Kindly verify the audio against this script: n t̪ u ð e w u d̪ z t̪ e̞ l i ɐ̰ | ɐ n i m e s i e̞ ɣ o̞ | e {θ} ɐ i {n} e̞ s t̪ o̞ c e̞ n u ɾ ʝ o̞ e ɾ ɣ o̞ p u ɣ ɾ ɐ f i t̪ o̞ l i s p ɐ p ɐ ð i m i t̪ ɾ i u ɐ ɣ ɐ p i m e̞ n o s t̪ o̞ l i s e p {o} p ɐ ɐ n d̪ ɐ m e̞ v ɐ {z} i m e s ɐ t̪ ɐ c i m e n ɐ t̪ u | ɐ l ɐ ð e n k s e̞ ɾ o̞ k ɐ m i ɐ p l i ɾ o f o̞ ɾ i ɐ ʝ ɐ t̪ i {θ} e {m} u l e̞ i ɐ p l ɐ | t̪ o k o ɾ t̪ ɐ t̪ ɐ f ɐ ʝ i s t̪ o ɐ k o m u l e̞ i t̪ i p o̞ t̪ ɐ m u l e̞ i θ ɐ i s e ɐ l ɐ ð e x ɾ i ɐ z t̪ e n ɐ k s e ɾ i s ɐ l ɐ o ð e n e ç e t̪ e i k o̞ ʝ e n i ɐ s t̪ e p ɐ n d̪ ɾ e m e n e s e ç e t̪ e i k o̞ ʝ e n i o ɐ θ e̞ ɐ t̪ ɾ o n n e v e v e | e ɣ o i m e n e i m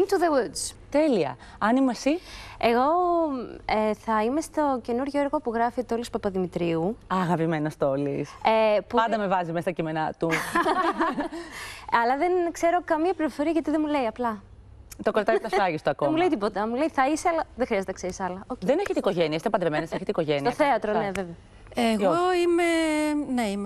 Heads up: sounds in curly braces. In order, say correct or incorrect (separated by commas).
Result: correct, incorrect, incorrect, correct, incorrect, correct